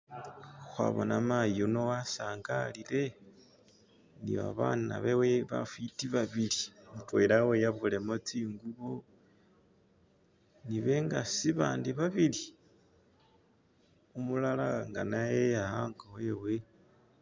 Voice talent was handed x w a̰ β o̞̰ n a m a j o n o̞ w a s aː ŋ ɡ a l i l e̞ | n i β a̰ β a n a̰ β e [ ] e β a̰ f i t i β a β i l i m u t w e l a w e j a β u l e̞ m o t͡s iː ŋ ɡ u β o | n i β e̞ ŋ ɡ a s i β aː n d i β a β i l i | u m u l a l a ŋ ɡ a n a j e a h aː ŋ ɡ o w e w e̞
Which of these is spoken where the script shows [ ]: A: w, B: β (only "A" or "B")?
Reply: A